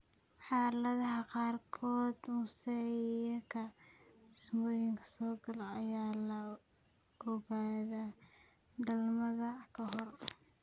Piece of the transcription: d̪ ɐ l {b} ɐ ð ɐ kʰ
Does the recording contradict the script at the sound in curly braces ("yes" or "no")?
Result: yes